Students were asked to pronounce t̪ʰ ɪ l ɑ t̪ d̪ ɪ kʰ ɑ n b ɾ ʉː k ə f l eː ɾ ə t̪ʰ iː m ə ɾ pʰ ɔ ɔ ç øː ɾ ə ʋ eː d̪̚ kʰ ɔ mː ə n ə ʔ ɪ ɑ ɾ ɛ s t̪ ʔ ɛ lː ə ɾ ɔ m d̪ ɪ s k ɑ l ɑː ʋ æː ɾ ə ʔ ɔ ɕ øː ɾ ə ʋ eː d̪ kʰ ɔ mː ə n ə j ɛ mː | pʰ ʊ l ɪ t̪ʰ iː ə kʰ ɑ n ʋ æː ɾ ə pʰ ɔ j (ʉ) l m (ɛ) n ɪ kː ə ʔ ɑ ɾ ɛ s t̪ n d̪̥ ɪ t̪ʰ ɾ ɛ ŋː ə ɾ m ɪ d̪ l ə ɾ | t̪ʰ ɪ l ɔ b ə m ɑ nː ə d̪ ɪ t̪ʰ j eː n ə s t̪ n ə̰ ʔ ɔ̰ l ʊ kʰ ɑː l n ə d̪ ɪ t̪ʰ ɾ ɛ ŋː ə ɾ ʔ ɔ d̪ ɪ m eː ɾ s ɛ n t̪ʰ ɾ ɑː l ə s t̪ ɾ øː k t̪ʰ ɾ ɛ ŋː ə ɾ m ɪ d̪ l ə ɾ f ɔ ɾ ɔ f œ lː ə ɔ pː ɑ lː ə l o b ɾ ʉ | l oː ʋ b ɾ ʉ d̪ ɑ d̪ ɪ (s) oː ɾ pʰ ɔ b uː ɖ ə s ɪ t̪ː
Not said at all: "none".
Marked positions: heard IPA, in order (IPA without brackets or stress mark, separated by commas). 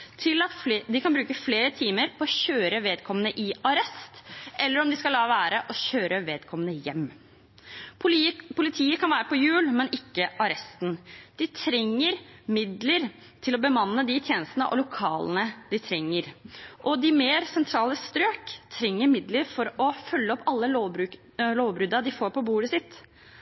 ʉː, ɛ, f